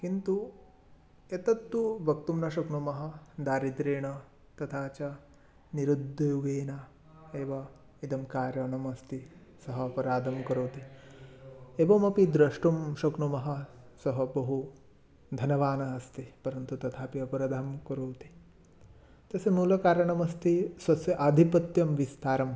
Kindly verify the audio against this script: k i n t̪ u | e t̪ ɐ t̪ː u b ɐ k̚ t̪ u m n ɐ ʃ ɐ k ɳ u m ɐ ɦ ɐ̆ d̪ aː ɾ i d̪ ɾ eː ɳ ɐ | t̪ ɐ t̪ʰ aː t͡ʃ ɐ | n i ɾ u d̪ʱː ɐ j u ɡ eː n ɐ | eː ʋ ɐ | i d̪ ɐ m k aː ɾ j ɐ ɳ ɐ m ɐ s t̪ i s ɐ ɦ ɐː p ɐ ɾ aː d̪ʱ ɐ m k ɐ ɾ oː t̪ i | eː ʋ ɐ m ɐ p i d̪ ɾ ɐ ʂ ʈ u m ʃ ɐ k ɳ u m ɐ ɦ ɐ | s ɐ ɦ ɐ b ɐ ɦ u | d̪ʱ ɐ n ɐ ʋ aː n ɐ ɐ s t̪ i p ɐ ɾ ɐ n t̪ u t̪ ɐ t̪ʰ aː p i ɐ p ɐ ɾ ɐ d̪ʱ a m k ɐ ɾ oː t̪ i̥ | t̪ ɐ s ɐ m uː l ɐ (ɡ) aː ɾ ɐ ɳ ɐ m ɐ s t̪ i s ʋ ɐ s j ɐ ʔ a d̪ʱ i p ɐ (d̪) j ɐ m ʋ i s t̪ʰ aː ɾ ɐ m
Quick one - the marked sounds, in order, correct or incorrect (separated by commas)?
incorrect, incorrect